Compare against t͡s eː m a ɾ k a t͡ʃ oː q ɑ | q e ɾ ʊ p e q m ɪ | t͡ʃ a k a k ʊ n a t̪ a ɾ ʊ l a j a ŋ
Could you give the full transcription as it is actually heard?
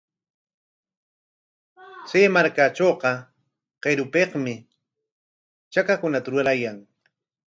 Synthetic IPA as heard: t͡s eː m a ɾ k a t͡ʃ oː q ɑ | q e ɾ ʊ p e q m ɪ | t͡ʃ a k a k ʊ n a t̪ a ɾ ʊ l a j a ŋ